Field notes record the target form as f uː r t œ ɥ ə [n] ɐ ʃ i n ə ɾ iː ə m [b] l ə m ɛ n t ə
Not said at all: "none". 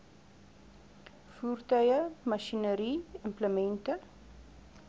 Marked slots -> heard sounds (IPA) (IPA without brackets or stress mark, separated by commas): m, p